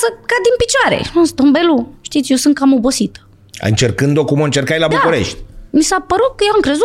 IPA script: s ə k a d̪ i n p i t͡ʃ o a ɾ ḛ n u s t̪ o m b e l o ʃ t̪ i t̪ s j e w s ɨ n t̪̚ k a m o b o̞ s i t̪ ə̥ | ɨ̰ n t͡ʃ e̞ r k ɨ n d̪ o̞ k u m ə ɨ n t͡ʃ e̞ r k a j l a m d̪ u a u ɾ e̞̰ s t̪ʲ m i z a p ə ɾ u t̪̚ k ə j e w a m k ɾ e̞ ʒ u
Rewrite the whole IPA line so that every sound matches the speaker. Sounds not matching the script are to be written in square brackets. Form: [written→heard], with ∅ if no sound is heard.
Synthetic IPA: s ə k a d̪ i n p i t͡ʃ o a ɾ ḛ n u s t̪ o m b e l [o→u] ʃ t̪ i t̪ s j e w s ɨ n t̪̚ k a m o b o̞ s i t̪ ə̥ | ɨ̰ n t͡ʃ e̞ r k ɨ n d̪ o̞ k u m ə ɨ n t͡ʃ e̞ r k a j l a [m→b] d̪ u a u ɾ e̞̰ [s→ʃ] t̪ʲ m i [z→s] a p ə ɾ u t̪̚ k ə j e w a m k ɾ e̞ [ʒ→z] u